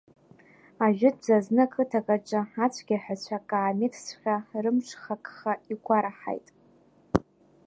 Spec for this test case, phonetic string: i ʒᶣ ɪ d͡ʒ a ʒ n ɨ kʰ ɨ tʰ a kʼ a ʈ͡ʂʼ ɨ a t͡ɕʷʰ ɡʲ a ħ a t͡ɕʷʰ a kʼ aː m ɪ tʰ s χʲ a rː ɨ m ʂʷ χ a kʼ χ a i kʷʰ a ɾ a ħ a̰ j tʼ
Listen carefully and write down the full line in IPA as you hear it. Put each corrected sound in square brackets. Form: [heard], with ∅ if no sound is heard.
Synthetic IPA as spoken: [a] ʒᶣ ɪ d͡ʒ a [z] n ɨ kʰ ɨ tʰ a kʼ a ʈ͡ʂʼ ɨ a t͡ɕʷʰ ɡʲ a ħ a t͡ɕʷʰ a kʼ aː m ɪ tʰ s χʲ a [r] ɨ m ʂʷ χ a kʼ χ a i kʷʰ a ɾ a ħ a̰ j tʼ